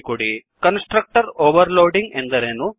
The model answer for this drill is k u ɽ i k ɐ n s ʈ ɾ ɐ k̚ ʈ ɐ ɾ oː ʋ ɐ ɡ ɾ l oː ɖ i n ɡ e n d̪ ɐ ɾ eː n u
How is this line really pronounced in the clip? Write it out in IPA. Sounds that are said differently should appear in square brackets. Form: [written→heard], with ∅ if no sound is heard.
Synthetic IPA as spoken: k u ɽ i k ɐ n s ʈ ɾ ɐ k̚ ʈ ɐ ɾ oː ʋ ɐ [ɡ→∅] ɾ l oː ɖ i [n→ŋ] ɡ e n d̪ ɐ ɾ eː n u